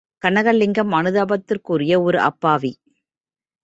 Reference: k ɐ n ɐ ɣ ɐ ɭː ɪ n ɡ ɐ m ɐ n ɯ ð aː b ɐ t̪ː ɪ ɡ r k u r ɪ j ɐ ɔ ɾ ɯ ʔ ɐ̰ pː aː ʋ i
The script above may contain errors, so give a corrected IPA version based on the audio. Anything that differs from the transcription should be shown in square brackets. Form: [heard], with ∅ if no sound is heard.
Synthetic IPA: k ɐ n ɐ ɣ ɐ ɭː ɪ [ŋ] ɡ ɐ m ɐ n ɯ ð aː b ɐ t̪ː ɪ [∅] r k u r ɪ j ɐ ɔ ɾ ɯ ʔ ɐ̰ pː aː ʋ i